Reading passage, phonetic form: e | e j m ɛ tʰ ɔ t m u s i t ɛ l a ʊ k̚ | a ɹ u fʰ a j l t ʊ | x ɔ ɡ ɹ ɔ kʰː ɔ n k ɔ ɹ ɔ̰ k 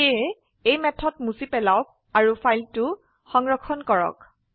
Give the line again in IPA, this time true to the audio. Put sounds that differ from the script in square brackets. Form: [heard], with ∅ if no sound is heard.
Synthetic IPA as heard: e | e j m ɛ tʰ ɔ t m u s i [p] ɛ l a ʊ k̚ | a ɹ u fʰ a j l t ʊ | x ɔ [ŋ] ɹ ɔ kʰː ɔ n k ɔ ɹ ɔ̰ k